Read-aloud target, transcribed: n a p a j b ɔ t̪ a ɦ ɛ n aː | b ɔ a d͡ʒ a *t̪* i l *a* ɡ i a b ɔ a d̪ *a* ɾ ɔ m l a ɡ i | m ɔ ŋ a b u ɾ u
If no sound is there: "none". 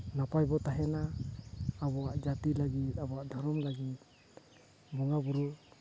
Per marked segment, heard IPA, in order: t̪, a, a

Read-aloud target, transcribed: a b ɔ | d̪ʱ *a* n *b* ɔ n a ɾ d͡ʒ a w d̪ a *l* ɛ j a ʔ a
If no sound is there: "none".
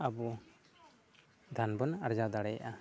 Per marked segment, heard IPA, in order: a, b, ɽ

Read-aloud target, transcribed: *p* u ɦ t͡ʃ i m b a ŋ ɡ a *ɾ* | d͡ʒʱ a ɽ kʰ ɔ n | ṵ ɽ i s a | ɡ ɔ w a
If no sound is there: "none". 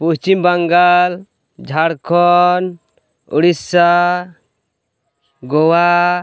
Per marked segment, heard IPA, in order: p, l

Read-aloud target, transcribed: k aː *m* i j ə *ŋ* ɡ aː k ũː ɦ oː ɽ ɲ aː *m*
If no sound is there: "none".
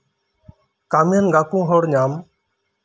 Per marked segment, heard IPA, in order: m, n, m

